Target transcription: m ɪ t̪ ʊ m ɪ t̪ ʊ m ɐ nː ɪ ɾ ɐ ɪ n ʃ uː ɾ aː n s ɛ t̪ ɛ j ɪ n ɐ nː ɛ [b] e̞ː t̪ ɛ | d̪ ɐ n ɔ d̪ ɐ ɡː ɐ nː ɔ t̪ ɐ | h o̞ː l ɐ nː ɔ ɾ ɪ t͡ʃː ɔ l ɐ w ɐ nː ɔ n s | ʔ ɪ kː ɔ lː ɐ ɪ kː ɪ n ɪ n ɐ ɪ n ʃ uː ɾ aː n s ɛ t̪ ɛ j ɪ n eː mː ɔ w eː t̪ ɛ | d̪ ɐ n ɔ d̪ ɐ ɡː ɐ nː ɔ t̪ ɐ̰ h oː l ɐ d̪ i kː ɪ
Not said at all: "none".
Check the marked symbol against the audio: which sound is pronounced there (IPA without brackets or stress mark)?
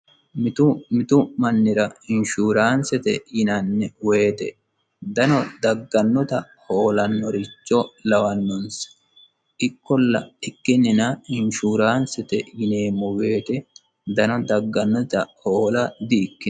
w